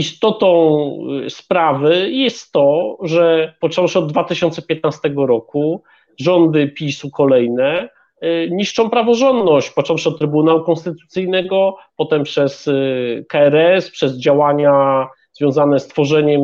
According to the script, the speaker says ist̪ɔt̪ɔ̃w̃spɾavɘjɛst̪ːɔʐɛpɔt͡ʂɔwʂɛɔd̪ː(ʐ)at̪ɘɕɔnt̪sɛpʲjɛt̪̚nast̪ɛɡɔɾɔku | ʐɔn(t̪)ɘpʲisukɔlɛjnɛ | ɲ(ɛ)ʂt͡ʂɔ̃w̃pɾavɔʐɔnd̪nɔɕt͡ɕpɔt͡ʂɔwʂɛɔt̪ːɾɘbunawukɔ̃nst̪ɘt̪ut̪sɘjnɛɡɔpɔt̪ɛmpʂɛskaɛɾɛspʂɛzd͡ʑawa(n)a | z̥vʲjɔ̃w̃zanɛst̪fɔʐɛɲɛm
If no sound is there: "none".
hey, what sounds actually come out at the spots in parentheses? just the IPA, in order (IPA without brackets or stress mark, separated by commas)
v, d̪, i, ɲ